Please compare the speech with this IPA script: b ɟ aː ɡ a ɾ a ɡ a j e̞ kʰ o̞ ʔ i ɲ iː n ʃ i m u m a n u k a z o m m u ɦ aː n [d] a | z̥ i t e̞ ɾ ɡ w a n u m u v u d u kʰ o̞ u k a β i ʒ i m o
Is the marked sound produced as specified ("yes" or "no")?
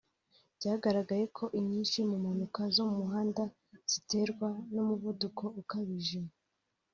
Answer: yes